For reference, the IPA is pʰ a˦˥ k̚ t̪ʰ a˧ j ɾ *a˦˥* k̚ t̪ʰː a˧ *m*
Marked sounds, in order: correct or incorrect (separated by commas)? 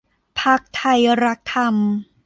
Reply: correct, correct